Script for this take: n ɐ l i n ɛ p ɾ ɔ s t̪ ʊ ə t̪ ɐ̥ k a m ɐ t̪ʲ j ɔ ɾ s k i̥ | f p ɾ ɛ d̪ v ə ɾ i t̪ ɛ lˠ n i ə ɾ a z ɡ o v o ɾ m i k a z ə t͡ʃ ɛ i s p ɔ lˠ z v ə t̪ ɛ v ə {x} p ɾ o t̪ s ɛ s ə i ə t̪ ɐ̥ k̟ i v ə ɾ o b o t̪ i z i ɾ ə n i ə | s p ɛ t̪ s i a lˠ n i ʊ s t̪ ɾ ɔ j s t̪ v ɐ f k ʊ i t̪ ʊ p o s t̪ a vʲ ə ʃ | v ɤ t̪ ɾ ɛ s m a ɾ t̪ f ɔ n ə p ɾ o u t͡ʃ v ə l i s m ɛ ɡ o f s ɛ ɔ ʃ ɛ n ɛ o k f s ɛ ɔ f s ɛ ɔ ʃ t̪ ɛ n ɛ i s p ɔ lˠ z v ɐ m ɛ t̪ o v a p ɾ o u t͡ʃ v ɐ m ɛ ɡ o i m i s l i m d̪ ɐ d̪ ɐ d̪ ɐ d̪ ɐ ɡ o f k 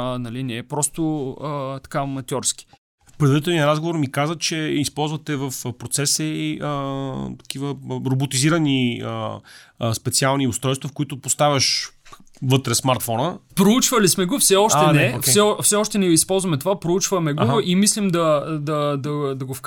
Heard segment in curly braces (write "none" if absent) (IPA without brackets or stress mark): f